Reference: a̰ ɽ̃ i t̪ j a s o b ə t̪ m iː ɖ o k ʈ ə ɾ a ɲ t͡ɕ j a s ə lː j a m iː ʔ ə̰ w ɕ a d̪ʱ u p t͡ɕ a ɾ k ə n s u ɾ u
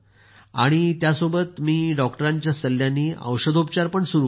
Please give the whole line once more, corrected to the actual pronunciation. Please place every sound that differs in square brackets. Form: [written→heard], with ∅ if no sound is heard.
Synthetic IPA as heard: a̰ ɽ̃ i t̪ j a s o b ə t̪ m iː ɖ [o→ɔ] k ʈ ə ɾ a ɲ t͡ɕ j a s ə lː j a [m→n] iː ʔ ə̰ w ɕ [a→ə] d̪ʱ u p t͡ɕ a ɾ [k→p] ə [n→ɳ] s u ɾ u